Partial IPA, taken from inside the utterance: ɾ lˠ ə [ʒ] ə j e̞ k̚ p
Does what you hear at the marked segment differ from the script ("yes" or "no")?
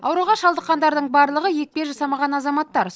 yes